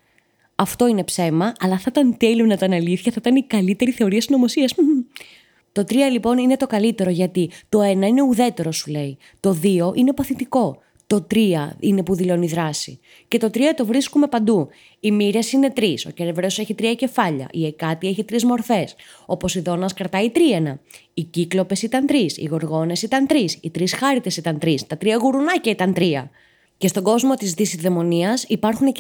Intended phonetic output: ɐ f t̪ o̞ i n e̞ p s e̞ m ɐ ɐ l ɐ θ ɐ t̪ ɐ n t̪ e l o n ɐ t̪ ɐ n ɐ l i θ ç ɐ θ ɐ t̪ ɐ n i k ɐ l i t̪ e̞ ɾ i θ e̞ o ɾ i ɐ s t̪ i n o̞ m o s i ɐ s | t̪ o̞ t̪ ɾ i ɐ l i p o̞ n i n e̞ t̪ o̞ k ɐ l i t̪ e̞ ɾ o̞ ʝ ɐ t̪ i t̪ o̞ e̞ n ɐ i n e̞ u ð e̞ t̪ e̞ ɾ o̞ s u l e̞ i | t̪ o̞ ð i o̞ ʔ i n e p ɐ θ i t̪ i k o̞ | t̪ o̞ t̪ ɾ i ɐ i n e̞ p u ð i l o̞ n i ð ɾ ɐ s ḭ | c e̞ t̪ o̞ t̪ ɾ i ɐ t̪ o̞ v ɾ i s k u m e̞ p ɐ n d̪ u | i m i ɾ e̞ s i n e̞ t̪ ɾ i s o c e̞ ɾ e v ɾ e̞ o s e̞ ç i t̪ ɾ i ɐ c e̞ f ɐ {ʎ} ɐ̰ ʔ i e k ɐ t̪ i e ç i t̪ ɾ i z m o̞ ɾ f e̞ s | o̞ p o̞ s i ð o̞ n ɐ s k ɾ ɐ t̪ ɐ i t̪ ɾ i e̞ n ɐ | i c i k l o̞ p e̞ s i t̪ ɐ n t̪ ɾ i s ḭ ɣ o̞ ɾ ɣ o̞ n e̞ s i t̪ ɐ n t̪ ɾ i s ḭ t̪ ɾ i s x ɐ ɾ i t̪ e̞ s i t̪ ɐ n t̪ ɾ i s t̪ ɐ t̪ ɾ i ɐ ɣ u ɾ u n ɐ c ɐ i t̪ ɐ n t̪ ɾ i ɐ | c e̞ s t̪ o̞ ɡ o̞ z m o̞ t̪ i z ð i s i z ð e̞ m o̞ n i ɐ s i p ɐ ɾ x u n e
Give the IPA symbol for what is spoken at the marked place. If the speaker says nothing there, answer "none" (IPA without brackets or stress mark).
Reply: ʎ